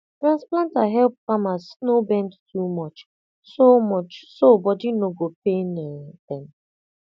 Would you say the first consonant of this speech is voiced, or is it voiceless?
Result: voiceless